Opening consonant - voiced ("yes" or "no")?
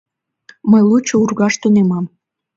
yes